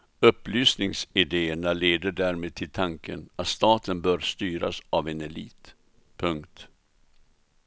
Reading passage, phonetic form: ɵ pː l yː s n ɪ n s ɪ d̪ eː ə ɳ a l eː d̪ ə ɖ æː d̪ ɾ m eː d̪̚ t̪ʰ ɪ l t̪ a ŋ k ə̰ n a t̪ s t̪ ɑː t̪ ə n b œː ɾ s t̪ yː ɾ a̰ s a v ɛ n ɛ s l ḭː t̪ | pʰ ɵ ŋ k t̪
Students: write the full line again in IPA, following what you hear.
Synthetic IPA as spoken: ɵ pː l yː s n ɪ ŋ s ɪ d̪ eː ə ɳ a l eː d̪ ə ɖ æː ɾ m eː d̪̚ t̪ʰ ɪ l t̪ʰ a ŋ k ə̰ n a t̪ s t̪ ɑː t̪ ə n b œː ɾ s t̪ yː ɾ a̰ s a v ɛ n ɛ l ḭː t̪ | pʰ ɵ ŋ k t̪